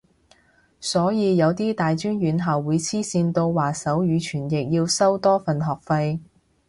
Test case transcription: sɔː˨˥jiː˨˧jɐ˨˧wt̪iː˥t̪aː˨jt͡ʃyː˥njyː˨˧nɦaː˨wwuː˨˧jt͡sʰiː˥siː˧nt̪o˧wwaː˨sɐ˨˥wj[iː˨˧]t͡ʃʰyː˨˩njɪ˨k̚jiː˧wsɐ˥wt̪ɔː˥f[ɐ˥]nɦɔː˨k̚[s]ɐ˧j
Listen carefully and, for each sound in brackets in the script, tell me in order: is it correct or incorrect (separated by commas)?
incorrect, incorrect, incorrect